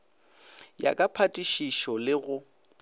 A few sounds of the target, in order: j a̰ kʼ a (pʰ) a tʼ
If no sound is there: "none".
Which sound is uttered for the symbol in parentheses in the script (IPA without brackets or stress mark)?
pʰ